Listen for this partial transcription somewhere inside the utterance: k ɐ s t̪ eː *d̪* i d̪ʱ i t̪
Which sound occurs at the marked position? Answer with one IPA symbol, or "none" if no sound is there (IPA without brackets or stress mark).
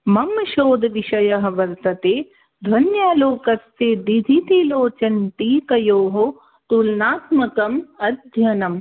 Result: d̪